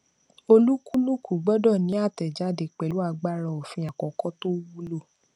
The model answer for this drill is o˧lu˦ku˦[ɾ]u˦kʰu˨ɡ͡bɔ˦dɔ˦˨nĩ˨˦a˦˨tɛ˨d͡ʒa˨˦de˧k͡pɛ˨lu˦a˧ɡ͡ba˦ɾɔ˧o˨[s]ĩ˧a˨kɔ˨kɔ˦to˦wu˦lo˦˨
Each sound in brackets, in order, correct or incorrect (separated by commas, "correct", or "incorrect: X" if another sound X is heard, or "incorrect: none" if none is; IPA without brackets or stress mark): incorrect: l, incorrect: f